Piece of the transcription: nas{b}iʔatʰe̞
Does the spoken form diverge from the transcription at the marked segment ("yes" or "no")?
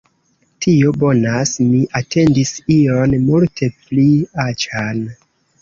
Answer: yes